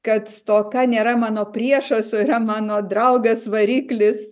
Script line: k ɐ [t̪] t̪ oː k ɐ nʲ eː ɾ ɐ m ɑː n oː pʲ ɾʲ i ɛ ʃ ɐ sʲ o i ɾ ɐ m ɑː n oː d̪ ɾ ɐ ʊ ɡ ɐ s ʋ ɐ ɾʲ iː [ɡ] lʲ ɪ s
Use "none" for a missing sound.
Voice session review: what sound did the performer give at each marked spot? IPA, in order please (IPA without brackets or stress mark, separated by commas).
t̪, k